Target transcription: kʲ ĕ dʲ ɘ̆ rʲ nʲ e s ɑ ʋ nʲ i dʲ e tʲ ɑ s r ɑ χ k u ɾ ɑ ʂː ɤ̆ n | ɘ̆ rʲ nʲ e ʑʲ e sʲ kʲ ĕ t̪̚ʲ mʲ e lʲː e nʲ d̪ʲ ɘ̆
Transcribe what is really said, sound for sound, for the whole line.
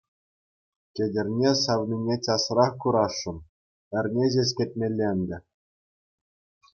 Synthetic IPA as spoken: kʲ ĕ dʲ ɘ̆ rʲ nʲ e s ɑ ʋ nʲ i nʲ e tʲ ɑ s r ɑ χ k u ɾ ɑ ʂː ɤ̆ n | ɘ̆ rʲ nʲ e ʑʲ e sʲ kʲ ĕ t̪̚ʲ mʲ e lʲː e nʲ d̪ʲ ɘ̆